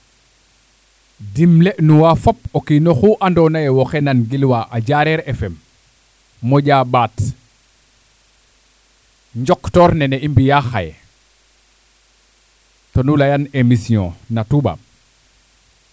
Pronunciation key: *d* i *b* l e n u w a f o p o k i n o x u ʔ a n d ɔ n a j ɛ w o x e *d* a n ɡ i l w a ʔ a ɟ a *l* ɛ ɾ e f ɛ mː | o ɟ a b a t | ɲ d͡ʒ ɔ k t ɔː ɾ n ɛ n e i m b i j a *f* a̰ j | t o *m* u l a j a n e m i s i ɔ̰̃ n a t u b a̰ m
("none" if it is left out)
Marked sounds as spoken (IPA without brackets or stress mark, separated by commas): d, m, n, ɾ, x, n